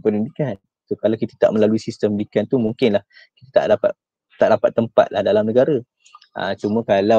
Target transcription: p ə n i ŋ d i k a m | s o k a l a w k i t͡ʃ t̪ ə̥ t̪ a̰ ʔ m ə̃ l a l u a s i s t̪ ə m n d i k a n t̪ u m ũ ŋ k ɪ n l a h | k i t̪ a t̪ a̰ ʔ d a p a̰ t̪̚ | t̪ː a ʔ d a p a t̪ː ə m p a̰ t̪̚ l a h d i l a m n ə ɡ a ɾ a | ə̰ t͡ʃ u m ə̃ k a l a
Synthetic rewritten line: p ə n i n d i k a n | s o k a l a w k i t̪ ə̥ t̪ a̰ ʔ m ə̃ l a l u i s i s t̪ ə m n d i k a n t̪ u m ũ ŋ k ɪ n l a h | k i t̪ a t̪ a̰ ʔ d a p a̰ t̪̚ | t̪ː a ʔ d a p a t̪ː ə m p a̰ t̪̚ l a h d a l a m n ə ɡ a ɾ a | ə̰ t͡ʃ u m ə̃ k a l a